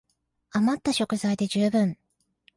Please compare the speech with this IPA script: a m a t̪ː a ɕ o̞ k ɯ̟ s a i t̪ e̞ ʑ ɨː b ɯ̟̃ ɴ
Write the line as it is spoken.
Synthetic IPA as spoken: a m a t̪ː a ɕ o̞ k ɯ̟ z a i d̪ e̞ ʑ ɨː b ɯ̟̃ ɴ